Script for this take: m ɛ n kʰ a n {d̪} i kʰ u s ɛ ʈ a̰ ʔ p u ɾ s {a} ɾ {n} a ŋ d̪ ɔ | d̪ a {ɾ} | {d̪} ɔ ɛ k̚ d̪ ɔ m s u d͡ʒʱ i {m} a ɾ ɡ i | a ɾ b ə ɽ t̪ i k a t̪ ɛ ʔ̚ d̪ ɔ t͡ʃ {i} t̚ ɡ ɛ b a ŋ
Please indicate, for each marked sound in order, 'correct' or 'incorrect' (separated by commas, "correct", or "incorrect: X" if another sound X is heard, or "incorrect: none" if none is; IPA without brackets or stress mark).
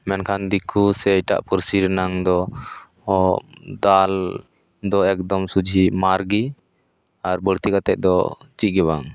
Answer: correct, incorrect: i, correct, incorrect: l, correct, correct, correct